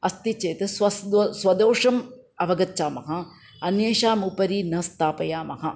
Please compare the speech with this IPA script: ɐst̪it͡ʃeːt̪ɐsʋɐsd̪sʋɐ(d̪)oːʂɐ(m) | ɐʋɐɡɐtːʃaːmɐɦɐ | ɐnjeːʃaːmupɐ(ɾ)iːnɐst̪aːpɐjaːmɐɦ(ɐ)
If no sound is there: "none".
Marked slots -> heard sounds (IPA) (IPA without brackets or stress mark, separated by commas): d̪, m, ɾ, ɐ